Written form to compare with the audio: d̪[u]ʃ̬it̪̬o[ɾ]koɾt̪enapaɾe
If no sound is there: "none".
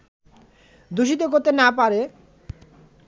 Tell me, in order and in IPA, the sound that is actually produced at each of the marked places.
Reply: u, none

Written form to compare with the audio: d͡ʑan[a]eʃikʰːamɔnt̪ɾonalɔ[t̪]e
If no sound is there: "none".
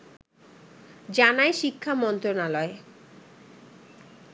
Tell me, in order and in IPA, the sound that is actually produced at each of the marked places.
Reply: a, none

